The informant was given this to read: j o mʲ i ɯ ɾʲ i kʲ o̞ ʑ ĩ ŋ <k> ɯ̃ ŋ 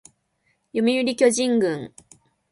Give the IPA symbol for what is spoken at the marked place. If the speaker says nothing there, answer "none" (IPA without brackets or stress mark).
ɡ